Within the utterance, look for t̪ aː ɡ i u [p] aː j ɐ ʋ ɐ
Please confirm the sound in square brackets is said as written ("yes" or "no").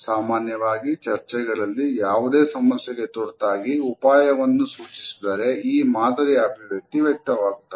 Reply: yes